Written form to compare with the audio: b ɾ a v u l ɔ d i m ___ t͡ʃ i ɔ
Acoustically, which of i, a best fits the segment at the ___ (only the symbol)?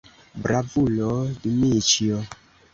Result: i